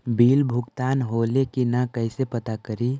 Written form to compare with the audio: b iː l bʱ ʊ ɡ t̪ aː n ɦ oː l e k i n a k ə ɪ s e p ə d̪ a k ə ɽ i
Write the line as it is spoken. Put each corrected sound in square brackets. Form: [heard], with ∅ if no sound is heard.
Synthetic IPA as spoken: b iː l bʱ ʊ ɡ t̪ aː n ɦ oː l e k i n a k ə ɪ s e p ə [t̪] a k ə [ɾ] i